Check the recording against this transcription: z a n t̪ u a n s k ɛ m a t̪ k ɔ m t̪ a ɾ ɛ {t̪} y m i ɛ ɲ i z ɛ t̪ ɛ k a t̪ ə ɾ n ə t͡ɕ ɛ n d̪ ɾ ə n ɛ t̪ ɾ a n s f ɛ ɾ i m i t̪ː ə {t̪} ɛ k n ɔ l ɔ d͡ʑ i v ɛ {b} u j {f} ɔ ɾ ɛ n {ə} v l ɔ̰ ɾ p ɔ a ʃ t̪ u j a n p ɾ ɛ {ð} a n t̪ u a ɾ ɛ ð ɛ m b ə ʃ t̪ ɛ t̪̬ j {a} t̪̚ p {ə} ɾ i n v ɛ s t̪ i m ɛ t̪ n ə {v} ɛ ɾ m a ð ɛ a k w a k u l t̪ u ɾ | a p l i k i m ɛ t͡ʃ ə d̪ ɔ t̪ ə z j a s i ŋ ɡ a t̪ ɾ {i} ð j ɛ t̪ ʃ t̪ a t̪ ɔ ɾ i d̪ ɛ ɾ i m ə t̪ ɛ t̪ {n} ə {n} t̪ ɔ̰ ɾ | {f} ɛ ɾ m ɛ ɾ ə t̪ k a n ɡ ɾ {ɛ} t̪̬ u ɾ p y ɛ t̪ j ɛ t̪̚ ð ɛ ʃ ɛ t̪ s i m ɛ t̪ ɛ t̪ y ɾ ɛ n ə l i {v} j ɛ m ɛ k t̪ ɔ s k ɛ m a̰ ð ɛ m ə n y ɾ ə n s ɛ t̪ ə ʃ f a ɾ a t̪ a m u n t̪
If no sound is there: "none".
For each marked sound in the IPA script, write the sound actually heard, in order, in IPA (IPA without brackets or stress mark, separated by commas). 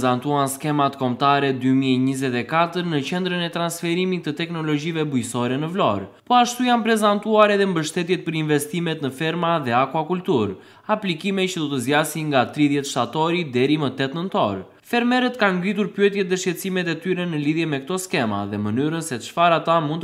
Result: d̪, t̪, b, s, ə, z, ɛ, ə, f, i, n, n, f, i, ð